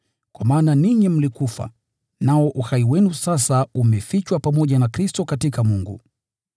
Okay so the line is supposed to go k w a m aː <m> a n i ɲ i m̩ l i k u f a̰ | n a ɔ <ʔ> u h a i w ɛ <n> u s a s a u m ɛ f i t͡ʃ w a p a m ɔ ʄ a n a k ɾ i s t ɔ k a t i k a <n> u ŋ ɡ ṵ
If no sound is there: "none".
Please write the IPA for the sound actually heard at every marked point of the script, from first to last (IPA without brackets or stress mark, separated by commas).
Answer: n, ʔ, n, m